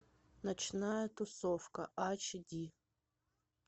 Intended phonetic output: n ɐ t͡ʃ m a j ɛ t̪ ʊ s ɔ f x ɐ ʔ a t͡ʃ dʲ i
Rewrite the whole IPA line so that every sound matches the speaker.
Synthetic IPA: n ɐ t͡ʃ n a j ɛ t̪ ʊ s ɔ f k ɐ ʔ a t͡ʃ dʲ i

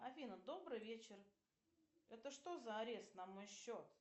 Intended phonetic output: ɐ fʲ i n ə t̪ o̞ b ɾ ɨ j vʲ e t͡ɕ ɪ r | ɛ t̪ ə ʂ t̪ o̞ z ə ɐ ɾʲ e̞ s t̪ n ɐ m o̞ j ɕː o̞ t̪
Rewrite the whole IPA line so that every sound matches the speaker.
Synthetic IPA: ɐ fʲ i n ə d̪ o̞ b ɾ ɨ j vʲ e t͡ɕ ɪ r | ɛ t̪ ə ʂ t̪ o̞ z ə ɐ ɾʲ e̞ s t̪ n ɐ m o̞ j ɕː o̞ t̪

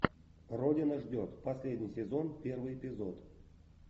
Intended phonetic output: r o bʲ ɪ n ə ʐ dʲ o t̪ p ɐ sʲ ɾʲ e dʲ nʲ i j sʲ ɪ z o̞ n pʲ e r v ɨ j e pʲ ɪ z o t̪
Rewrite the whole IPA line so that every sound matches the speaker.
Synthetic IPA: r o dʲ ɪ n ə ʐ dʲ o t̪ p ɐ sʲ lʲ e dʲ nʲ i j sʲ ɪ z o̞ n pʲ e r v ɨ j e pʲ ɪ z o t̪

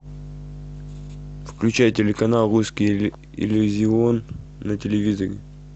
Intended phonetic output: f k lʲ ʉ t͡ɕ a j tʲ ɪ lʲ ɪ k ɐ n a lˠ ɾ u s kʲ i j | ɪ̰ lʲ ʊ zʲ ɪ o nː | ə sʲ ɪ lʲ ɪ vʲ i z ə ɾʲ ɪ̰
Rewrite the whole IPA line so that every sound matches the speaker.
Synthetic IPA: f k lʲ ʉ t͡ɕ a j tʲ ɪ lʲ ɪ k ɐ n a lˠ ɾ u s kʲ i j | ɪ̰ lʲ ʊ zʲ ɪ o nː | ə tʲ ɪ lʲ ɪ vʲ i z ə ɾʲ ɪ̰

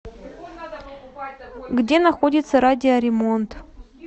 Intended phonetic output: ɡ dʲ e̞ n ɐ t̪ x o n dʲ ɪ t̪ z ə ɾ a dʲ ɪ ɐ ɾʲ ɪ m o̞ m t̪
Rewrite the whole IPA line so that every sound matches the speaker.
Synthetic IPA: ɡ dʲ e̞ n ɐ x o dʲ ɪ t̪ s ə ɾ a dʲ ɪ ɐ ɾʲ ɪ m o̞ n t̪

